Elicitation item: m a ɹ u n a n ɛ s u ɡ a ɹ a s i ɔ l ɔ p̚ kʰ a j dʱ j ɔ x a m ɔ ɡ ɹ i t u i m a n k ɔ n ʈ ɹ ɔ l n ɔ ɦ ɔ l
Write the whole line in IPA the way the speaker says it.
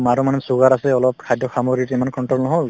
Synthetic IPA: m a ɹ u m a n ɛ s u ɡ a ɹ a s ɛ ɔ l ɔ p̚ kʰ a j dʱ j ɔ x a m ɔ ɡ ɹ i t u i m a n k ɔ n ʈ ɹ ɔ l n ɔ ɦ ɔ l